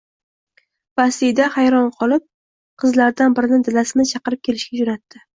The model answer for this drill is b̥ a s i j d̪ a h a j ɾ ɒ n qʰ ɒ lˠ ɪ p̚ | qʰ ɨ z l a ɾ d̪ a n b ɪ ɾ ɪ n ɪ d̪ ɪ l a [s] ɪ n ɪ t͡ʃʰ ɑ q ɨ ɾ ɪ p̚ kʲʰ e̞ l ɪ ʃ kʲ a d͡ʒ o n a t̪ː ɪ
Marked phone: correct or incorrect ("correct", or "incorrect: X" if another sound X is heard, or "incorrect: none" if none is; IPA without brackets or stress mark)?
correct